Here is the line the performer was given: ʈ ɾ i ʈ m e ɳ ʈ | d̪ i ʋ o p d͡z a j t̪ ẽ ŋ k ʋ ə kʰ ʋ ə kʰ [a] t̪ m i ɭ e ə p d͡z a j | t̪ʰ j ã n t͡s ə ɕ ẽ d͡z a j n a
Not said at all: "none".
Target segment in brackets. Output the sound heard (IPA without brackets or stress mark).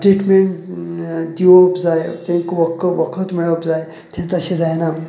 ə